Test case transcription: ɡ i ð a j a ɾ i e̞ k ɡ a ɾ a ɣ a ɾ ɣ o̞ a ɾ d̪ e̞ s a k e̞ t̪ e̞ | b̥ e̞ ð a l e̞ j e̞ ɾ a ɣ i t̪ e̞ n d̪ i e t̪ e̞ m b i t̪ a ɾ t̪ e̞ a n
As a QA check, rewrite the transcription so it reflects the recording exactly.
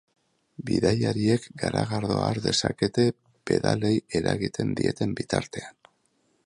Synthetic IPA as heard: b i ð a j a ɾ i e̞ k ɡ a ɾ a ɣ a ɾ ð o̞ a ɾ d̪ e̞ s a k e̞ t̪ e̞ | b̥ e̞ ð a l e̞ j e̞ ɾ a ɣ i t̪ e̞ n d̪ i e t̪ e̞ m b i t̪ a ɾ t̪ e̞ a n